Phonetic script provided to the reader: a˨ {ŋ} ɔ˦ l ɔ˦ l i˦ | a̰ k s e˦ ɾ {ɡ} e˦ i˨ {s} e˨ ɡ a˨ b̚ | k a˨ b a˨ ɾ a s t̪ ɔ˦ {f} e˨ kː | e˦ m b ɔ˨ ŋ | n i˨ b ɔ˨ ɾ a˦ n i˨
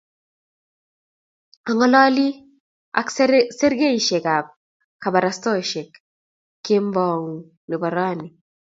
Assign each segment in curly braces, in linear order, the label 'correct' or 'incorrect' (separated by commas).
correct, correct, incorrect, incorrect